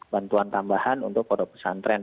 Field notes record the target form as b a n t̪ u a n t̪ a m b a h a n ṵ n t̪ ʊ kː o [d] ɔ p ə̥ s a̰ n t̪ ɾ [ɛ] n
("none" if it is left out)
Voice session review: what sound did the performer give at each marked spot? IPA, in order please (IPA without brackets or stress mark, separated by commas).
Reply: d, ɛ